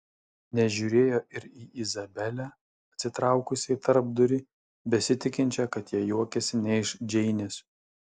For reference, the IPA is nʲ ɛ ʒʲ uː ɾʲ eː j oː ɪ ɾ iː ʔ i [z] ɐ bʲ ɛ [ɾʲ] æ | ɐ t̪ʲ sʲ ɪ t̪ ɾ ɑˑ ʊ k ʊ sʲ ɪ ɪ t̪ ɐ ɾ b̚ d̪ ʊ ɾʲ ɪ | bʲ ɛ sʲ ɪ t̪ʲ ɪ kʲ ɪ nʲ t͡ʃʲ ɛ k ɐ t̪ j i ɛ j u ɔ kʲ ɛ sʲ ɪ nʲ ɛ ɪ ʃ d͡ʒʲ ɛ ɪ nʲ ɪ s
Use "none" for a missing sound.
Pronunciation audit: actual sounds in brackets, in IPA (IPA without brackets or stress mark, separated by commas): z, lʲ